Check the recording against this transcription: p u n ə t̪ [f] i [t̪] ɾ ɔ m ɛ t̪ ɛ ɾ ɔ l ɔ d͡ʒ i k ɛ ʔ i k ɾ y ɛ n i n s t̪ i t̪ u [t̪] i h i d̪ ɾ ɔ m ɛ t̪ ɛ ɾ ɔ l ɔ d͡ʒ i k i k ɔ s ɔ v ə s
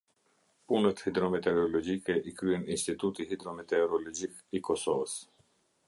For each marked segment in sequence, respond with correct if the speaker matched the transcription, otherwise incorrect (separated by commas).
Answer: incorrect, incorrect, correct